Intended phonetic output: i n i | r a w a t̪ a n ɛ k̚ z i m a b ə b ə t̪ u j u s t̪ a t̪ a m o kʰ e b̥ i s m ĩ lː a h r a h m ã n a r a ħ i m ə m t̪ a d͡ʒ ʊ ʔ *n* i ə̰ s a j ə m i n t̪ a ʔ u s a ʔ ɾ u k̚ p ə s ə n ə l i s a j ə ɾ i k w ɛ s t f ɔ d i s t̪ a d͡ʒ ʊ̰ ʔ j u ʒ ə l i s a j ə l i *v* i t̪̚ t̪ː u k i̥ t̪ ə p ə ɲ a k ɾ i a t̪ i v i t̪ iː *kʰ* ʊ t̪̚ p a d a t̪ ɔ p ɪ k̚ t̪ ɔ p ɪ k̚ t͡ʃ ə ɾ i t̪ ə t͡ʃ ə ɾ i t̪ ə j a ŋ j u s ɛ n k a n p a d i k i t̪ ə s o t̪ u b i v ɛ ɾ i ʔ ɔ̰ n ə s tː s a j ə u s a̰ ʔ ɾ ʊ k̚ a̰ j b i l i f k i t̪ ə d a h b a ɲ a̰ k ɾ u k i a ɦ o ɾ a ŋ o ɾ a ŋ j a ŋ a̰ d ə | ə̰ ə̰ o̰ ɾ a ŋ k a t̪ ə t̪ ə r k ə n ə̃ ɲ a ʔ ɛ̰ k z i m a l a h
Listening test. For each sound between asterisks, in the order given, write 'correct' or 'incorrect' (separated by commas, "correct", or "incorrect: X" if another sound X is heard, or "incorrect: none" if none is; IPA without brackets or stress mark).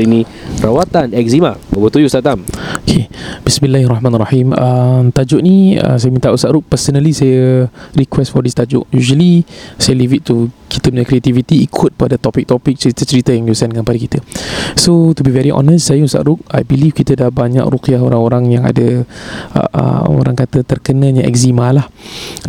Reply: correct, correct, correct